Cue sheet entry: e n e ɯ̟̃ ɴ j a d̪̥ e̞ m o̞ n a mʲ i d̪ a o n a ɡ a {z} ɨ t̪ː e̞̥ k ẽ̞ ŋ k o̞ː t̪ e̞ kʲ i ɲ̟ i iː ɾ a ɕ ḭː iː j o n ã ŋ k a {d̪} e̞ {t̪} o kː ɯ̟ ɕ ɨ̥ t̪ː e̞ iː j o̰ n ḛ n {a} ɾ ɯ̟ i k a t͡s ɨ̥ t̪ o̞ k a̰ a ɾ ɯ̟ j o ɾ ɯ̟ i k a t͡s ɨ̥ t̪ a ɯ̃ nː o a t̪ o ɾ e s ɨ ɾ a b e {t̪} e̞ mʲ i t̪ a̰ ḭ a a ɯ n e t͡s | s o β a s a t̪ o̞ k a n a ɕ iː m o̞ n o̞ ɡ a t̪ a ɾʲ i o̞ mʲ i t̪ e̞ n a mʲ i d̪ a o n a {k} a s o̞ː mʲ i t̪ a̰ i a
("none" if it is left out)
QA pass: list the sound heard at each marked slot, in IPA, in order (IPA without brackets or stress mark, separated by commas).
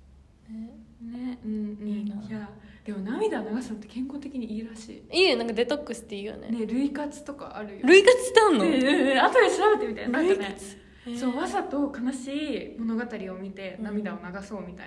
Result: s, d̪, t̪, e, t̪, ɡ